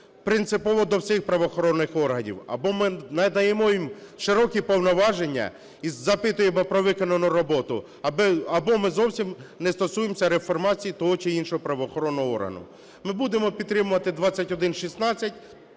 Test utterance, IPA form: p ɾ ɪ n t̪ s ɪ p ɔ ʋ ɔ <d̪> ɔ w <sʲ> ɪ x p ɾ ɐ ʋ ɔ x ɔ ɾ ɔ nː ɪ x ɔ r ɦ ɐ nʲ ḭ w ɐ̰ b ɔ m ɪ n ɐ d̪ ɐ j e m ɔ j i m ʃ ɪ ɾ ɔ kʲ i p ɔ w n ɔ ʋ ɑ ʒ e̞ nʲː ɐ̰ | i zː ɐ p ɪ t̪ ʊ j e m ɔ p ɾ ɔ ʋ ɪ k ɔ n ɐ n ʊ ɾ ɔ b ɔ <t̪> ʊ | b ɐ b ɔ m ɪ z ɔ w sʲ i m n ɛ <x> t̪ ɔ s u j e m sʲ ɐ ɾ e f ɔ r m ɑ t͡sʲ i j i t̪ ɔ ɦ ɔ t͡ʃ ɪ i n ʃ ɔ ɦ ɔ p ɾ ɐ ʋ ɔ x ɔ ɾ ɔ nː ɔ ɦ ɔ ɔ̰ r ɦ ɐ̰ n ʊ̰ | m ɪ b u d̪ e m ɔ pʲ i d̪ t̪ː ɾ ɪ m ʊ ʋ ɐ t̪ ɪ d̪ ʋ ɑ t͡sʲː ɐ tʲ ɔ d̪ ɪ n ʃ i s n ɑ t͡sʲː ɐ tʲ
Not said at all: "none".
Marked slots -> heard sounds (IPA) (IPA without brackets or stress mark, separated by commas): d̪, sʲ, t̪, s